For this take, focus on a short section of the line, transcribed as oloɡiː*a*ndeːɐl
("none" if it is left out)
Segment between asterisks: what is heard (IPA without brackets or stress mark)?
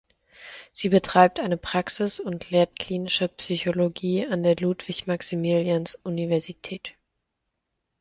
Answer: a